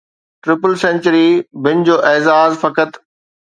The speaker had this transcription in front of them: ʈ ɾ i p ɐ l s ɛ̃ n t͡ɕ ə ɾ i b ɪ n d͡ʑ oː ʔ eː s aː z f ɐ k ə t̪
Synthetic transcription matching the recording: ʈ ɾ ɪ p ə l s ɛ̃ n t͡ɕ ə ɾ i b ɪ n d͡ʑ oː ʔ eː z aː z f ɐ k ə t̪